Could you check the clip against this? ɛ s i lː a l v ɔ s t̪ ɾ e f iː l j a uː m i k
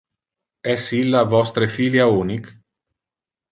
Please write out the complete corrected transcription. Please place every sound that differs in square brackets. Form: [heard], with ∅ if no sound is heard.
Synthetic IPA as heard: ɛ s i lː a [∅] v ɔ s t̪ ɾ e f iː l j a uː [n] i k